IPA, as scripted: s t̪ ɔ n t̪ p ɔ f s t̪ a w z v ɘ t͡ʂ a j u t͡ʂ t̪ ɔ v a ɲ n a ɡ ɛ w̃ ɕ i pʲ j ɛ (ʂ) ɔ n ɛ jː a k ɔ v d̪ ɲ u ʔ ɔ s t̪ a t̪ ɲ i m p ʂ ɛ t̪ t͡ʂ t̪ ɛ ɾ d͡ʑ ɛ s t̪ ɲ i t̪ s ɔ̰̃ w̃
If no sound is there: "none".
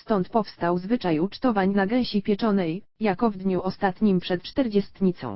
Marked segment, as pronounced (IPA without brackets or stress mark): t͡ʂ